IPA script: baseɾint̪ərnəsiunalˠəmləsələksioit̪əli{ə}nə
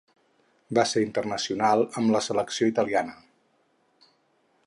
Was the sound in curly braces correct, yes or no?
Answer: no